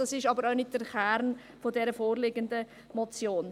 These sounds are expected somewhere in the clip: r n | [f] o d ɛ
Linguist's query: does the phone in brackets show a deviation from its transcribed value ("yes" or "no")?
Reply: no